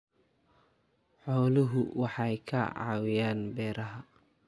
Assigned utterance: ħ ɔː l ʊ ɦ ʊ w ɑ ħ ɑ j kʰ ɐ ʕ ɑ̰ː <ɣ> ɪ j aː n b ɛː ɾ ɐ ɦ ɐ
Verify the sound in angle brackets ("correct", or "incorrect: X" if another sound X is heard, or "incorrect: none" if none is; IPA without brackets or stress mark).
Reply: incorrect: w